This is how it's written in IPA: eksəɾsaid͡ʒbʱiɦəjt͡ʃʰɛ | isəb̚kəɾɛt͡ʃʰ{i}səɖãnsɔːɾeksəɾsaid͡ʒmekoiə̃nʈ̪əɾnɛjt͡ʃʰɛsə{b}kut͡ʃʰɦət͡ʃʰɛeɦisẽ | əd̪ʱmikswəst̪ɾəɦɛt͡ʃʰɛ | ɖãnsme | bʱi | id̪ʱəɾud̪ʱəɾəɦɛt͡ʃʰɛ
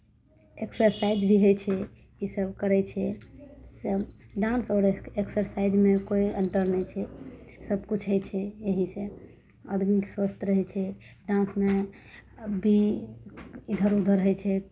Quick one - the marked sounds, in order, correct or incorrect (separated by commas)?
incorrect, correct